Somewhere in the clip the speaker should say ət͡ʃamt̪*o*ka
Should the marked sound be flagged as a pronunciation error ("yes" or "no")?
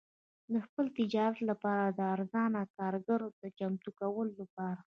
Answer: yes